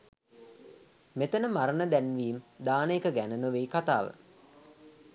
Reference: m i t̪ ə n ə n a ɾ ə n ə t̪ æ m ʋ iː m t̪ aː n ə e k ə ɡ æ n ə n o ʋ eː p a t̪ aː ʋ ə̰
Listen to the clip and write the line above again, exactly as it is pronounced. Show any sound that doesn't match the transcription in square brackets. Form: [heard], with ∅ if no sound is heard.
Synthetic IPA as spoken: m [e] t̪ ə n ə [m] a ɾ ə n ə [d̪] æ [n] ʋ iː m [d̪] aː n ə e k ə ɡ æ n ə n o ʋ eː [k] a t̪ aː ʋ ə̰